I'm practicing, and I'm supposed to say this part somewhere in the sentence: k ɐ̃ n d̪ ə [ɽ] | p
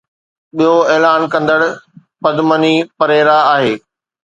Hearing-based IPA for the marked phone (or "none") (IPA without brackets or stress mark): ɽ